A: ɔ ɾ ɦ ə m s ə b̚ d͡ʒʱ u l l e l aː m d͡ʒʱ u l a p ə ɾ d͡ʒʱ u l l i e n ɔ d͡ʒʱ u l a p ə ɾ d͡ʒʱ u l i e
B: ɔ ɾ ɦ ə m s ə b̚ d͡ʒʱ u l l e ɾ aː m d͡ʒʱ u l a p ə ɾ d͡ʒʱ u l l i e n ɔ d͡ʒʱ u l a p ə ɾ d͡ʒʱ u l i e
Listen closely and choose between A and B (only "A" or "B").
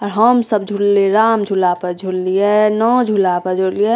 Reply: B